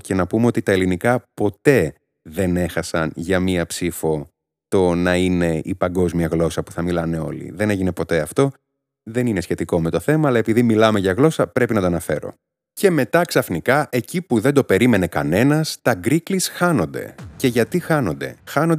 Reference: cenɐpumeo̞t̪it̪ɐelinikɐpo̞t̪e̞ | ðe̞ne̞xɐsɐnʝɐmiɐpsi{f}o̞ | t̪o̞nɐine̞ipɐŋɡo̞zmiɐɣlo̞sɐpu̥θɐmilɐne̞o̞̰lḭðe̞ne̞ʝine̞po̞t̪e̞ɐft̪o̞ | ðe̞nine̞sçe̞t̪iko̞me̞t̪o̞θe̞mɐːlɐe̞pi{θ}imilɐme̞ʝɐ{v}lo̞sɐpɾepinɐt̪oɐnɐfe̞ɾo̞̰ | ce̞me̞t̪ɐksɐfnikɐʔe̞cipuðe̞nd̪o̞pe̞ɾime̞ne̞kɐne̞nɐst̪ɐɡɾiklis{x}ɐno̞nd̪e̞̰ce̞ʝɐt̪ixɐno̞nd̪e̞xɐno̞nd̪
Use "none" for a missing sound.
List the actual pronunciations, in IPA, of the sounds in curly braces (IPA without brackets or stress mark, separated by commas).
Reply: f, ð, ɣ, x